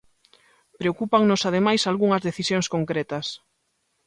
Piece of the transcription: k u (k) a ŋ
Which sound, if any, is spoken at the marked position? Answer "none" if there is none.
p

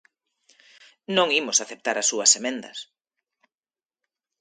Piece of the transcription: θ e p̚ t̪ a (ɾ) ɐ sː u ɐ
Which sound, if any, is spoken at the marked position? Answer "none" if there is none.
ɾ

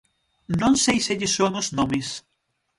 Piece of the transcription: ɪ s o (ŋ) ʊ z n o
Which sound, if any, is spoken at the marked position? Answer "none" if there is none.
ŋ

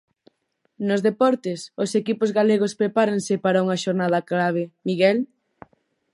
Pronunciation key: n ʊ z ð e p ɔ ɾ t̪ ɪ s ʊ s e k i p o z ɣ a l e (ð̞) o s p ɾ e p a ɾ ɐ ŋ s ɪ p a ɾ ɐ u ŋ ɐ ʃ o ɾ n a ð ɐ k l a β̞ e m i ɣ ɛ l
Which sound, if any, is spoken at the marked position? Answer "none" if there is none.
ɣ̞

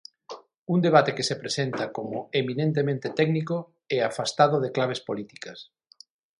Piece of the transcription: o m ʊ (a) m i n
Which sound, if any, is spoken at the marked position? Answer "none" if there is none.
e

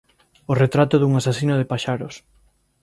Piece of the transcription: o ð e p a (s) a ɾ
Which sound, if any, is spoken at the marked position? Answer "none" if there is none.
ʃ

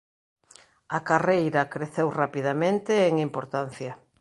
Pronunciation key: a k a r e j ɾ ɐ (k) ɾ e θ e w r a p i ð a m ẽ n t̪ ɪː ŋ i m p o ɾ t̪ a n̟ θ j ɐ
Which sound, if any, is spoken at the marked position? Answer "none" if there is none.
k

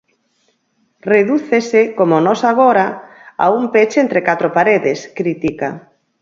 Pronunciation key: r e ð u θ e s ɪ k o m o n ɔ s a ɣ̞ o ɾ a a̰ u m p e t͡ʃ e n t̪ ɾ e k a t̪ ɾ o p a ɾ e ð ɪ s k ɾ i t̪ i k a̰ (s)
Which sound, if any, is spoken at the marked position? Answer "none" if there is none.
none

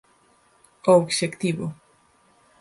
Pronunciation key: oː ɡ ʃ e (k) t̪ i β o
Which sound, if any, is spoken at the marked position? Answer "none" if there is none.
k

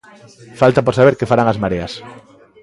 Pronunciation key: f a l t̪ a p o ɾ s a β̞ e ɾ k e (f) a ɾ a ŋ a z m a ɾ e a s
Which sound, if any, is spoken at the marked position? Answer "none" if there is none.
f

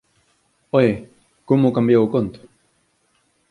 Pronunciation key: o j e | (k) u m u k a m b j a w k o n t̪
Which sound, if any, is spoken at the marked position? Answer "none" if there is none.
k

